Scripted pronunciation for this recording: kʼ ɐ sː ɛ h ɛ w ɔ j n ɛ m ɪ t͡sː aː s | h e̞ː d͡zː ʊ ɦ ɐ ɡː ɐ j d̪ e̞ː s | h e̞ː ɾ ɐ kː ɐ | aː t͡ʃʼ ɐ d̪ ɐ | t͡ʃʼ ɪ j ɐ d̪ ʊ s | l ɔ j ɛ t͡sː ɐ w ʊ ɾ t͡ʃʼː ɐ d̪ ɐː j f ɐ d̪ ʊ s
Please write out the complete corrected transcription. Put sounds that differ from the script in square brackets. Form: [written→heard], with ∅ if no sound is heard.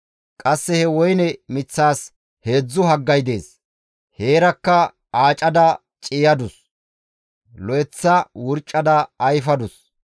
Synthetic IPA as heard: kʼ ɐ sː ɛ h ɛ w ɔ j n ɛ m ɪ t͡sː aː s | h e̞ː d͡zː ʊ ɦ ɐ ɡː ɐ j d̪ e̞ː s | h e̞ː ɾ ɐ kː ɐ | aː t͡ʃʼ ɐ d̪ ɐ | t͡ʃʼ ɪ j ɐ d̪ ʊ s | l ɔ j ɛ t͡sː ɐ w ʊ ɾ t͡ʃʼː ɐ d̪ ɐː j f ɐ d̪ ʊ s